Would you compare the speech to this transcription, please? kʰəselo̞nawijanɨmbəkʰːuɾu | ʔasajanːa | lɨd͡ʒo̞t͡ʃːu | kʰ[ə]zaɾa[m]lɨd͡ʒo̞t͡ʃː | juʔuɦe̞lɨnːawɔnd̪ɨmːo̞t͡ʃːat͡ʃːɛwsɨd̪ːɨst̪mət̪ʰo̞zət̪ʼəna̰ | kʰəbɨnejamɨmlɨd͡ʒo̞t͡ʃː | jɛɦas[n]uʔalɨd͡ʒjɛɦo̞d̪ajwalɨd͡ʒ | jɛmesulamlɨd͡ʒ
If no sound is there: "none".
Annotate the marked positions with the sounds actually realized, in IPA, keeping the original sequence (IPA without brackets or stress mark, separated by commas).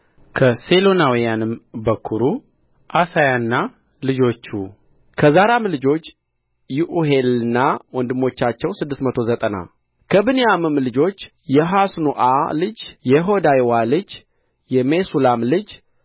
ə, m, n